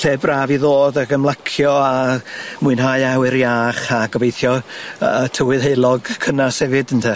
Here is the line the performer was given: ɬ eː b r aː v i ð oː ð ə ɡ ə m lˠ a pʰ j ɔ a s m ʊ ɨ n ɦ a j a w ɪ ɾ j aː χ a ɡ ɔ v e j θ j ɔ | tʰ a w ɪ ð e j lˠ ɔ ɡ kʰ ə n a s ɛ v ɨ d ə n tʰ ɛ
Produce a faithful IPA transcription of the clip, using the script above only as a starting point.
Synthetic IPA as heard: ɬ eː b r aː v i ð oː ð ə ɡ ə m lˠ a kʰ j ɔ a m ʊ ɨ n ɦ a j a w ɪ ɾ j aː χ a ɡ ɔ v e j θ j ɔ | tʰ ə w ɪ ð e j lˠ ɔ ɡ kʰ ə n a s ɛ v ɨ d ə n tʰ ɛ